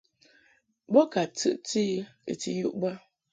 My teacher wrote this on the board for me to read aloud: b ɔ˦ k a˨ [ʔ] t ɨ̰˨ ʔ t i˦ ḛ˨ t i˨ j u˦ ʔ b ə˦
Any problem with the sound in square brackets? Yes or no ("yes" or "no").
yes